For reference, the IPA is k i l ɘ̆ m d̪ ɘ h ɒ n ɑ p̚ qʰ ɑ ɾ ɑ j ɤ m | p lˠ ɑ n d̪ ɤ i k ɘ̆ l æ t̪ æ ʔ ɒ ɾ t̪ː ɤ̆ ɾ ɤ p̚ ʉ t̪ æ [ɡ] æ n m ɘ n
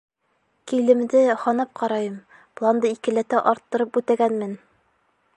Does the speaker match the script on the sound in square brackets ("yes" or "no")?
yes